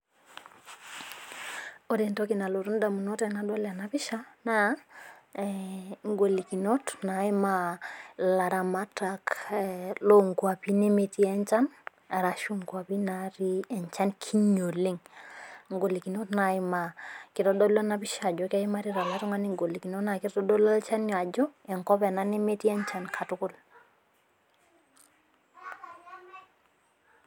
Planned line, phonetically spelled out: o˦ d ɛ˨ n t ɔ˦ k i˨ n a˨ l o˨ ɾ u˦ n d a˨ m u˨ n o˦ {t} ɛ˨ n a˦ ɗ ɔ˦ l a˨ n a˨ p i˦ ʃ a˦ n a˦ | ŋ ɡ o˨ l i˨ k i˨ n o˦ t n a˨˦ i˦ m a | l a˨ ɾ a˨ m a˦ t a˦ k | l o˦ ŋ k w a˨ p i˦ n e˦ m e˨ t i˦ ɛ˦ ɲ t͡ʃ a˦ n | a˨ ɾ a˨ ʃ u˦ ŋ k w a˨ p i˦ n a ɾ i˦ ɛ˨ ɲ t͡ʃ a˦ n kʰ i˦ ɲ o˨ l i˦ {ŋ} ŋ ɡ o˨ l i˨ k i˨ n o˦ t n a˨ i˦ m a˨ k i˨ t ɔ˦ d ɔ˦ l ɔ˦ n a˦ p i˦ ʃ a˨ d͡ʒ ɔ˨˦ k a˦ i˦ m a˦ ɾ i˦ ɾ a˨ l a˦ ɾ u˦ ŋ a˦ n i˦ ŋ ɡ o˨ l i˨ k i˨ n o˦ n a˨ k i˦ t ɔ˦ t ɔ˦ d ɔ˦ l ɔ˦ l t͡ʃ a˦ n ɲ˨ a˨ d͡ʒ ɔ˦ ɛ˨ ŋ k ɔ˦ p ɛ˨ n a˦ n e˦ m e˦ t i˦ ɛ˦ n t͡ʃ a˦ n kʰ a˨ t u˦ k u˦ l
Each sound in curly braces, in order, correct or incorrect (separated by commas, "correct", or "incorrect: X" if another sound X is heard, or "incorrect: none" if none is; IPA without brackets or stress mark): correct, correct